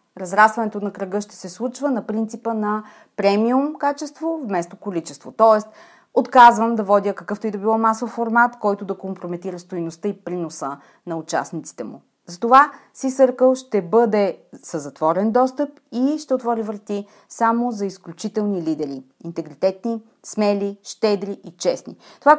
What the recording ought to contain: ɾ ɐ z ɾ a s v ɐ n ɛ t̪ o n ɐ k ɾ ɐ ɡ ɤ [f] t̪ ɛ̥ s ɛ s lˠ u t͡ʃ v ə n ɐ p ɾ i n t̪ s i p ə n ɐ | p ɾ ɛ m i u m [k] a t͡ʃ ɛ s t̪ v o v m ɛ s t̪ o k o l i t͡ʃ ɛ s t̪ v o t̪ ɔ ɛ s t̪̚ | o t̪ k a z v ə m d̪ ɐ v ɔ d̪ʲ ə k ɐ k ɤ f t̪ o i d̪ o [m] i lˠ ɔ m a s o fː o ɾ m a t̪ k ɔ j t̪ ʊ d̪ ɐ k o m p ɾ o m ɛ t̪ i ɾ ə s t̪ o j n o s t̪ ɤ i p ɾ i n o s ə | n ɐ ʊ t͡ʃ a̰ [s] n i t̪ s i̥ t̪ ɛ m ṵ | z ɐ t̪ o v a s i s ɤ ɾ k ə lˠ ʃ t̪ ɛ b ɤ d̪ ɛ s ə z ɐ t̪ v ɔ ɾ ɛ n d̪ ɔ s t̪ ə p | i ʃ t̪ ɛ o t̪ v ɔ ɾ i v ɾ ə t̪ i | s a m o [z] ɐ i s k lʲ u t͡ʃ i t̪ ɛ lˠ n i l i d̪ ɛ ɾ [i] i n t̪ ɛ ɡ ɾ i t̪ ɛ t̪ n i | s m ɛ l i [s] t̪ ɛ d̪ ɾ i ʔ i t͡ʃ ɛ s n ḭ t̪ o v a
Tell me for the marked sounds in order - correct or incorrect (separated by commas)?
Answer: incorrect, correct, incorrect, correct, correct, correct, incorrect